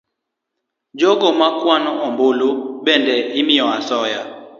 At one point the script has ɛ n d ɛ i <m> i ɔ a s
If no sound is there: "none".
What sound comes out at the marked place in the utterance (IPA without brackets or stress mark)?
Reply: m